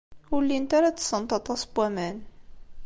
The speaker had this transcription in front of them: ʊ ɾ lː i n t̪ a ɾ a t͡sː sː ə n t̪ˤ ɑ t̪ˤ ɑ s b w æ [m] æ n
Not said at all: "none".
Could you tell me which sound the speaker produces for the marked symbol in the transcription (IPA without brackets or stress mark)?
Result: m